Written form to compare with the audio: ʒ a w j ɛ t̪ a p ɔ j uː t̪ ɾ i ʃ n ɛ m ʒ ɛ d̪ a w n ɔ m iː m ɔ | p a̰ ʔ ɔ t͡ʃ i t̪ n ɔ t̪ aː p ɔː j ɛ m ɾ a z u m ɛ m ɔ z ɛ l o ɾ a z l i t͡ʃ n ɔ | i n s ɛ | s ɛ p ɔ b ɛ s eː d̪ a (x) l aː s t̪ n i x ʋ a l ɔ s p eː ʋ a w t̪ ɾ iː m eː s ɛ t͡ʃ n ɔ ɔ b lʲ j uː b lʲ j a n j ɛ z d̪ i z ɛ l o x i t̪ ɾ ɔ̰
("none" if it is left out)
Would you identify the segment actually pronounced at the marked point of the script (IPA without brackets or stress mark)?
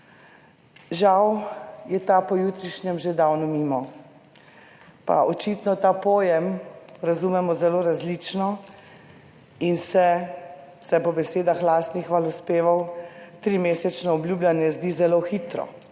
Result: x